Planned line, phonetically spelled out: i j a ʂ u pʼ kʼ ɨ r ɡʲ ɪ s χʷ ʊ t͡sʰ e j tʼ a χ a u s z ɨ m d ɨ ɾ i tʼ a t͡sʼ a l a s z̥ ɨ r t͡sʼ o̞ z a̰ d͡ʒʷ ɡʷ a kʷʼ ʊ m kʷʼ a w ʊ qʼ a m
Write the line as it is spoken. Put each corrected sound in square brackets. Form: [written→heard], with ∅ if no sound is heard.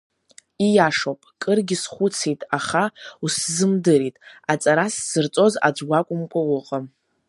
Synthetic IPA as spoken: i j a ʂ [u→o] pʼ kʼ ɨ r ɡʲ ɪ s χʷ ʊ t͡sʰ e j tʼ a χ a u s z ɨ m d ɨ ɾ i tʼ a t͡sʼ a [l→ɾ] a s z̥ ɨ r t͡sʼ o̞ z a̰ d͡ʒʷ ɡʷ a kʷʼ ʊ m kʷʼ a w ʊ qʼ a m